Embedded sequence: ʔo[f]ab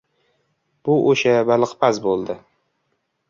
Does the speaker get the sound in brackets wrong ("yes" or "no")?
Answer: yes